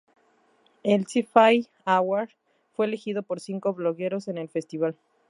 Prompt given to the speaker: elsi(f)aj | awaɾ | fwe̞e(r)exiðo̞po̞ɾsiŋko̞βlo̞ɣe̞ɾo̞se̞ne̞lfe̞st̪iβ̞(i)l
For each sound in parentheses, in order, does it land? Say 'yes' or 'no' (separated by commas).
yes, no, no